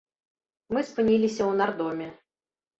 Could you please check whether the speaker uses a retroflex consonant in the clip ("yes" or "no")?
no